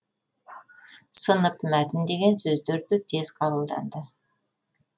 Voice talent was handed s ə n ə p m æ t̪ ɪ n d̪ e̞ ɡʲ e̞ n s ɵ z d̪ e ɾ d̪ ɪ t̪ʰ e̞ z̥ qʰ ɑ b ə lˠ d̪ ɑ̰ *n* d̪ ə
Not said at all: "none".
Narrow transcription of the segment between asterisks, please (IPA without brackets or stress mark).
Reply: n